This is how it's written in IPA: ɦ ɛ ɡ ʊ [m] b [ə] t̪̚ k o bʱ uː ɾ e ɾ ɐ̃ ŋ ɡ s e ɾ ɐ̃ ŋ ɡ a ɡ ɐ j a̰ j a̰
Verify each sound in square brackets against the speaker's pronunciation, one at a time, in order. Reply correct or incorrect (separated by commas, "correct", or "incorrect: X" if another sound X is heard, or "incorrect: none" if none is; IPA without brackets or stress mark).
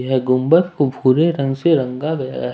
correct, correct